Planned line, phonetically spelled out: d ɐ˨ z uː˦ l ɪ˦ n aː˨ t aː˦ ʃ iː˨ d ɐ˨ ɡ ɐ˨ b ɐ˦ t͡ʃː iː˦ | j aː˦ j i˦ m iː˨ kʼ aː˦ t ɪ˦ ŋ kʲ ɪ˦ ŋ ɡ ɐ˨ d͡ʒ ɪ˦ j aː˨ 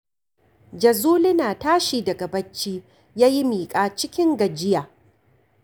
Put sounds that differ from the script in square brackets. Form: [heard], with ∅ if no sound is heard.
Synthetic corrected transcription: [d͡ʒ] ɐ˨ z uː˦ l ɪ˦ n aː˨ t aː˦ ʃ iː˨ d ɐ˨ ɡ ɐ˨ b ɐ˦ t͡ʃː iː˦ | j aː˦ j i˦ m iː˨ kʼ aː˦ [t͡ʃ] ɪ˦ [∅] kʲ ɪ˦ ŋ ɡ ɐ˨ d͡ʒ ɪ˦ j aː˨